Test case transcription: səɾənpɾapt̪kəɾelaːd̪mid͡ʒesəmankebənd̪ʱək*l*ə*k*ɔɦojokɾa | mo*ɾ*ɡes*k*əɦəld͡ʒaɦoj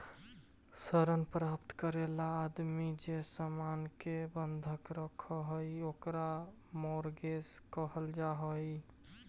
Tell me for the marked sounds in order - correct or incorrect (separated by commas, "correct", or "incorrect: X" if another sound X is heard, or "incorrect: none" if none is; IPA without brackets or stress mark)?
incorrect: ɾ, incorrect: kʰ, correct, correct